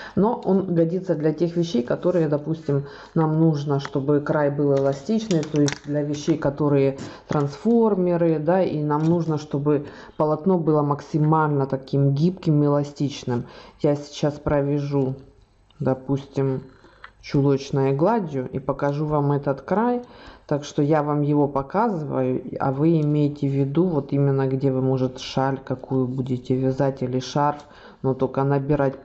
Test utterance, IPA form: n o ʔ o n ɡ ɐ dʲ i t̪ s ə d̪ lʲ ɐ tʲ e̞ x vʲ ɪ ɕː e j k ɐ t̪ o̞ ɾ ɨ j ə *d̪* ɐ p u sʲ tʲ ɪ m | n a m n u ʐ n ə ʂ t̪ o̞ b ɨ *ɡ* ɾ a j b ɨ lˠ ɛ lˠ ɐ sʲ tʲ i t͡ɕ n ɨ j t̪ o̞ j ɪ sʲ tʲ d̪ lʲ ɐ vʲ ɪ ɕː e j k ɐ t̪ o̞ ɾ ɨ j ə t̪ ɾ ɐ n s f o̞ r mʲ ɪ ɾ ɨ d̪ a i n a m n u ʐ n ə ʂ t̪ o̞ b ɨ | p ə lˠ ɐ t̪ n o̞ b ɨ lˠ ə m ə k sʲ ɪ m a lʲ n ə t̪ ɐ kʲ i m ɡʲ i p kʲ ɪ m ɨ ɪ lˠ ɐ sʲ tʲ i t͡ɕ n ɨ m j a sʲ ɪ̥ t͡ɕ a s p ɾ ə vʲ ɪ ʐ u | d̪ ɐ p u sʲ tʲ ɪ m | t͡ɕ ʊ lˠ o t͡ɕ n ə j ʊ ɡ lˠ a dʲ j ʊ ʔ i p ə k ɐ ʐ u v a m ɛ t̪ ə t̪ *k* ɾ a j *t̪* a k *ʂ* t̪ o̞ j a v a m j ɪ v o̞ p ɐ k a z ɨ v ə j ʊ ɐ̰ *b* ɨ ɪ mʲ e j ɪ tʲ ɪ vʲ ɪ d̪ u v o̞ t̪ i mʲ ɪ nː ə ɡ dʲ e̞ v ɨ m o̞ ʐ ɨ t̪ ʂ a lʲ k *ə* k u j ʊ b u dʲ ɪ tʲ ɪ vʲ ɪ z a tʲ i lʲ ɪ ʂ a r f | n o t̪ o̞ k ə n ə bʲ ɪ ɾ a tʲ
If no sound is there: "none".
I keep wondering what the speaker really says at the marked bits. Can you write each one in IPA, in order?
d̪, k, k, t̪, ʂ, v, ɐ

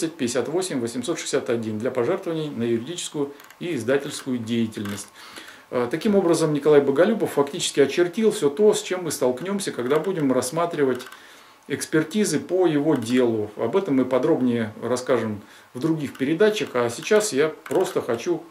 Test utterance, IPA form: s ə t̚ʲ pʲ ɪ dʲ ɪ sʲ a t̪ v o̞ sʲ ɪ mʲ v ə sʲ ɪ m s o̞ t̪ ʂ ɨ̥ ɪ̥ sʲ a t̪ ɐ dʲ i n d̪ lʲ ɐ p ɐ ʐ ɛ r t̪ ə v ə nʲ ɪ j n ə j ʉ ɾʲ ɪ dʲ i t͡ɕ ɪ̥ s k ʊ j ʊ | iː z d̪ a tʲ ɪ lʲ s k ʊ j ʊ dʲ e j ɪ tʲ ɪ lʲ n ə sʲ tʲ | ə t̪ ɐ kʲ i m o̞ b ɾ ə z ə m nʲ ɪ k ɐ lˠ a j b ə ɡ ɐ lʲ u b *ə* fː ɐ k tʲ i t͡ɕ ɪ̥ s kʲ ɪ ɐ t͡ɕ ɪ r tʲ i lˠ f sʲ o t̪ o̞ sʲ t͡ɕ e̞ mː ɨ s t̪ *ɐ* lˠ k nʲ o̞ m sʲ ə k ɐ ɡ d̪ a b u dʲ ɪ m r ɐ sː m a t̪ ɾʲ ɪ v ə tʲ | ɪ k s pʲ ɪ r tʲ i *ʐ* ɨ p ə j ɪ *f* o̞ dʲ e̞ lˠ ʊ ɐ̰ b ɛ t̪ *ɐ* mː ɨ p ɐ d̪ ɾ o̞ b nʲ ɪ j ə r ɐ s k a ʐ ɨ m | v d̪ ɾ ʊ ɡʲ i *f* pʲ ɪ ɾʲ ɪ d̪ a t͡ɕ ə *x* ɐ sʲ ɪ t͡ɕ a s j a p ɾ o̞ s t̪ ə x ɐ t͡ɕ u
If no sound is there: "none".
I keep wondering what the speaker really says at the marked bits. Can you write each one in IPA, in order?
ə, ɐ, z, v, ə, x, x

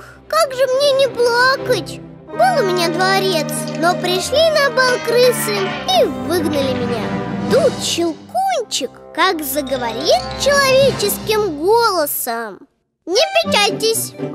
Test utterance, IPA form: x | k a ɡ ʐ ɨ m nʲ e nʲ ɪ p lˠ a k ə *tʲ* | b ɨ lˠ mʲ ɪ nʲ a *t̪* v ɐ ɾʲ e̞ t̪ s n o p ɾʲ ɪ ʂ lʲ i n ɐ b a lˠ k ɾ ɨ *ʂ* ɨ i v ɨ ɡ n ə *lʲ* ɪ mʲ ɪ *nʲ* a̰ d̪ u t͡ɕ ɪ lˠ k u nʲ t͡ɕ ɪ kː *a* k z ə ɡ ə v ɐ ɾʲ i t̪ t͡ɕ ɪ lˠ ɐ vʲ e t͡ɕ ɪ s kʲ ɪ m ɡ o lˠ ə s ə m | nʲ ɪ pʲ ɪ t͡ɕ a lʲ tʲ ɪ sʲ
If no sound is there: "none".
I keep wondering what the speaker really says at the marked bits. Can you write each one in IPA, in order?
tʲ, d̪, s, lʲ, nʲ, a

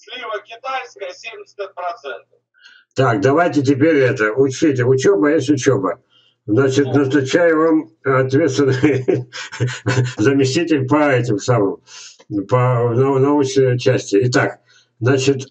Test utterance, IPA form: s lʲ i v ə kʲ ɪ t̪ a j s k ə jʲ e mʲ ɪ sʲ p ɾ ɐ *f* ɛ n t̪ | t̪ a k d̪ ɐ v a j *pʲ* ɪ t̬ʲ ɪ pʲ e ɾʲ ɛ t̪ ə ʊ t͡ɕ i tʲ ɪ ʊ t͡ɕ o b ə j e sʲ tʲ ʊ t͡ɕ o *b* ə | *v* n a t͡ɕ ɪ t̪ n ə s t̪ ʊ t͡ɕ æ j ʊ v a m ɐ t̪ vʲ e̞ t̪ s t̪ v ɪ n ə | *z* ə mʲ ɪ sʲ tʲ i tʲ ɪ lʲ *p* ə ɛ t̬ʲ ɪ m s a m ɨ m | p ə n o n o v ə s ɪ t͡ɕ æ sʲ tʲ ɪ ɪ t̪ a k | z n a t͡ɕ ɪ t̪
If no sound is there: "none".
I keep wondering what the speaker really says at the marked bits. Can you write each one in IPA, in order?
s, tʲ, b, z, z, p

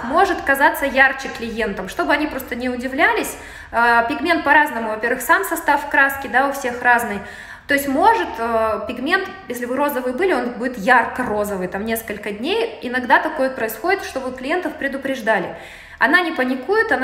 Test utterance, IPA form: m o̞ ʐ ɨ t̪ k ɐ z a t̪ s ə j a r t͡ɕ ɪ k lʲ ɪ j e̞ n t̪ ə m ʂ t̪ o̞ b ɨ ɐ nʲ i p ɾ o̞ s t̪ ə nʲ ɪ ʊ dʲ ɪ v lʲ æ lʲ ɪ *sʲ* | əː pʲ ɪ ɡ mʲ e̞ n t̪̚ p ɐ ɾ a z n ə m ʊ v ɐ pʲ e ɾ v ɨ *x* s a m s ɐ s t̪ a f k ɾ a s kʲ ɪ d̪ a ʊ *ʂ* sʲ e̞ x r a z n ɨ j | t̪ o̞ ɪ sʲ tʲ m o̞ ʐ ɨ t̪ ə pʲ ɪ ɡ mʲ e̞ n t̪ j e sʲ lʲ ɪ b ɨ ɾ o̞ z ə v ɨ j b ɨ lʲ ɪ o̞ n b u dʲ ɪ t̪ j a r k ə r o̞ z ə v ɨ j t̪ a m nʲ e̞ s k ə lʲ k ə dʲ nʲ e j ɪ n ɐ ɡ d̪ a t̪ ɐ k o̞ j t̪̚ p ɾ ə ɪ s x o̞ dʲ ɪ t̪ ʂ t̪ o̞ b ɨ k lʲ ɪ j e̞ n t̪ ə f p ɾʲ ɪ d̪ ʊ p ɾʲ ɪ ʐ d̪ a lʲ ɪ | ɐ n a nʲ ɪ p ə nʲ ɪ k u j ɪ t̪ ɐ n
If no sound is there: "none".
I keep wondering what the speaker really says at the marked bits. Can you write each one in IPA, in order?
sʲ, x, f

